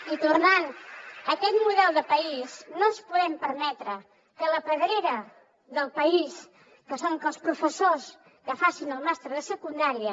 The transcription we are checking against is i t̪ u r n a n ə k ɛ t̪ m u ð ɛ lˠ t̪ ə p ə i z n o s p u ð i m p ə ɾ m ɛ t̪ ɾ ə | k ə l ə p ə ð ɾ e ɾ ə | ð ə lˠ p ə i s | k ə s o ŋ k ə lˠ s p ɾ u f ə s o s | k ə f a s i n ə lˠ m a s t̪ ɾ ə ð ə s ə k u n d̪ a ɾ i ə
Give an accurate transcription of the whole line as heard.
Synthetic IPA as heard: i t̪ u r n a n ə k ɛ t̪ m u ð ɛ lˠ d̪ ə p ə i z n o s p u ð ɛ m p ə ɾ m ɛ t̪ ɾ ə | k ə l ə p ə ð ɾ e ɾ ə | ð ə lˠ p ə i s | k ə s o ŋ k ə lˠ s p ɾ u f ə s o s | k ə f a s i n ə lˠ m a s t̪ ɾ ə ð ə s ə k u n d̪ a ɾ i ə